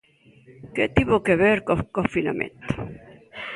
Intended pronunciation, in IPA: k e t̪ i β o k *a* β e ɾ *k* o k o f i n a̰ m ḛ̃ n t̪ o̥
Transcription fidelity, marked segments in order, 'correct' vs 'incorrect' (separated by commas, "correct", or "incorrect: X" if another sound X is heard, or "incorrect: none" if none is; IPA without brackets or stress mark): incorrect: e, correct